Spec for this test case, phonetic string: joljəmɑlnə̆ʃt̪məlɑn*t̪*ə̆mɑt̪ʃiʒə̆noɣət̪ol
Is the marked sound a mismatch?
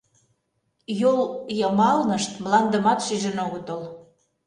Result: yes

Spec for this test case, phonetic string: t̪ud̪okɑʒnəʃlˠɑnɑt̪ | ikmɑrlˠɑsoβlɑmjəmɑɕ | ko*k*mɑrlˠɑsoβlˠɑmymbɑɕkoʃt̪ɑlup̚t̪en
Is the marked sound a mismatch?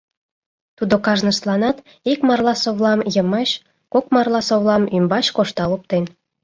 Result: no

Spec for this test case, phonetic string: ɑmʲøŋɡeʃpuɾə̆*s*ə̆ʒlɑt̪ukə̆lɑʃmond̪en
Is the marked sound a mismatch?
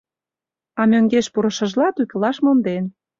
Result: yes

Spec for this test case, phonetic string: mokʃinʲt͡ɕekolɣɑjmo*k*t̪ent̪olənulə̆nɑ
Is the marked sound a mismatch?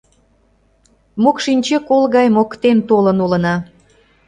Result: no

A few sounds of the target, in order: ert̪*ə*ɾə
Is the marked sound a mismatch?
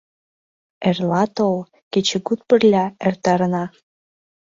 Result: yes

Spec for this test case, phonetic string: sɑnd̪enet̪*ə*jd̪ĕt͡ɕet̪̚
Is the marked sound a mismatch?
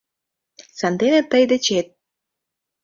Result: no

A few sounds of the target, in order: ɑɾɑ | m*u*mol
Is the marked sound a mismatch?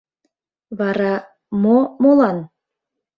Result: yes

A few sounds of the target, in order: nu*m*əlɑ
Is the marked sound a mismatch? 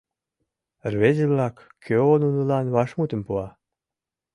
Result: yes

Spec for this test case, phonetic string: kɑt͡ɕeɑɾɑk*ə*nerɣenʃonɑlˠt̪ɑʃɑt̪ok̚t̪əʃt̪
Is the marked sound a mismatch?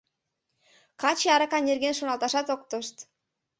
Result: yes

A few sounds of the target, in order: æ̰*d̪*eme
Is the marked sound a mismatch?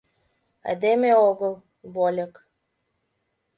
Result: no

